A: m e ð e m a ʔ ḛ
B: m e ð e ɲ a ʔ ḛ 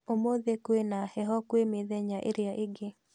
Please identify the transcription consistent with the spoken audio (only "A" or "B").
B